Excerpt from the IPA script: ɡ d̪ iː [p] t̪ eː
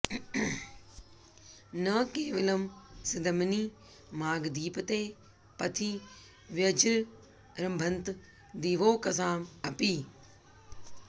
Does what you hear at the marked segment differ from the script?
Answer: no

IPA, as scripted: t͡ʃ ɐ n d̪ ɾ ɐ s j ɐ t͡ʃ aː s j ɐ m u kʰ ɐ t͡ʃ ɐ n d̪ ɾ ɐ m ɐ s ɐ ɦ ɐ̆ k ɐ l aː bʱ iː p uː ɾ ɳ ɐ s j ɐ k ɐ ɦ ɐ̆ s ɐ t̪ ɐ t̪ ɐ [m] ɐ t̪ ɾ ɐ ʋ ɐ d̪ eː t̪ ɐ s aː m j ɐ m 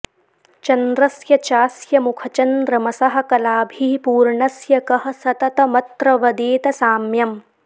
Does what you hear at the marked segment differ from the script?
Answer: no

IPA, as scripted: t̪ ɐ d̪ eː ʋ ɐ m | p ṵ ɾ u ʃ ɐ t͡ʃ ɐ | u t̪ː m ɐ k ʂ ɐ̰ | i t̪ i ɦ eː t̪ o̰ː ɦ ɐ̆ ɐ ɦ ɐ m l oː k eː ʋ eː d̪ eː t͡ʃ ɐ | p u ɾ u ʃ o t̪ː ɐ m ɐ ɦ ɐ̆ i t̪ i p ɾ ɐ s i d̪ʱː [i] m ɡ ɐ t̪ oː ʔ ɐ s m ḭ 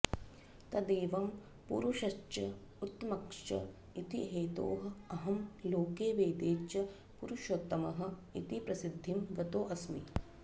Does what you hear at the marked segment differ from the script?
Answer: no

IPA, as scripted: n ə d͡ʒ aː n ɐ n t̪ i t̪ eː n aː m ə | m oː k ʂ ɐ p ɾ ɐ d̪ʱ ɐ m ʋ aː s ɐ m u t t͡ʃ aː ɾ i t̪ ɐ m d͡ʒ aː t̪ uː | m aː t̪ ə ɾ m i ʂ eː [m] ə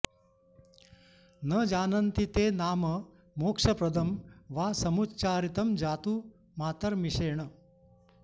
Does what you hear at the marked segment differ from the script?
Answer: yes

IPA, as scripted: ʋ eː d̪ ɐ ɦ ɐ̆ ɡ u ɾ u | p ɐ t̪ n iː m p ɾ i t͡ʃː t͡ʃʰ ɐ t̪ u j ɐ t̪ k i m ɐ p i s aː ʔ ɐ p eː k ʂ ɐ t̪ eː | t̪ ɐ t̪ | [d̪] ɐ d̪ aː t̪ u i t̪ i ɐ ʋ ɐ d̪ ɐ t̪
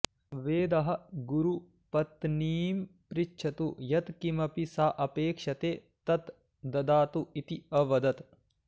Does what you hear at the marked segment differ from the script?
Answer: no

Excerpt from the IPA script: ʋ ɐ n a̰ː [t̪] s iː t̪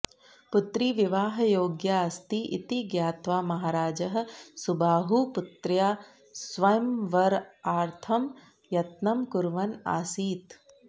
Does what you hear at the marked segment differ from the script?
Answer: yes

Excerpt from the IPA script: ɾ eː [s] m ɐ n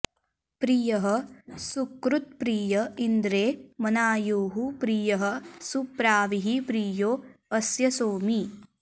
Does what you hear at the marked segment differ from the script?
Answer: yes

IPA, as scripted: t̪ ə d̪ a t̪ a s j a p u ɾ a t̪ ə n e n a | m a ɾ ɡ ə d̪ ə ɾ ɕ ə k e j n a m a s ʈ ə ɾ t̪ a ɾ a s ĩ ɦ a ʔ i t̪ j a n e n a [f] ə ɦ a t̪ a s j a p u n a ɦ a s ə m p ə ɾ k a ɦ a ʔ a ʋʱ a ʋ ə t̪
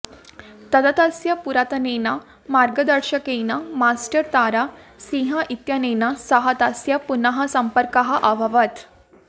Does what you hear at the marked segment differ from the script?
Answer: yes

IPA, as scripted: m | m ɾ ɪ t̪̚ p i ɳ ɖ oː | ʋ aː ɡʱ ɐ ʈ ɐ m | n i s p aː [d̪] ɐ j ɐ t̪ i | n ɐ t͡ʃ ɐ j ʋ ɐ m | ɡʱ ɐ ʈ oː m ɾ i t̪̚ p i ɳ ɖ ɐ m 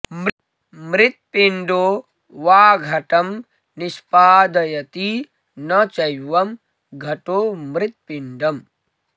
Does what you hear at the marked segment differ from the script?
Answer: no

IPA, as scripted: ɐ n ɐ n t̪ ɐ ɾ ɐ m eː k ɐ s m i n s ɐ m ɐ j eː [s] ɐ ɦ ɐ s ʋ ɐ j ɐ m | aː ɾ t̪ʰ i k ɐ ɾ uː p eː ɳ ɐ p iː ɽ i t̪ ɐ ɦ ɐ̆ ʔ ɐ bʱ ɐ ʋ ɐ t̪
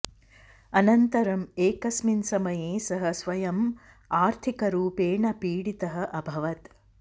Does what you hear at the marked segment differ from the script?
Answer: no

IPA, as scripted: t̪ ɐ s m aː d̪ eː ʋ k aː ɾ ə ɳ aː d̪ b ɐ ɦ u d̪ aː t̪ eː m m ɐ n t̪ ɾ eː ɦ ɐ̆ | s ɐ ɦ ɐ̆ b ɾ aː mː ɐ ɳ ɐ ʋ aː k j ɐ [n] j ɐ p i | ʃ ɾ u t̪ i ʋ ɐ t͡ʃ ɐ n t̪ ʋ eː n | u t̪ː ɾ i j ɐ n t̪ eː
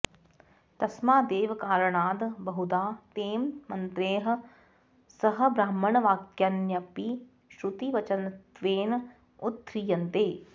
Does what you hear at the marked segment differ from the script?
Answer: no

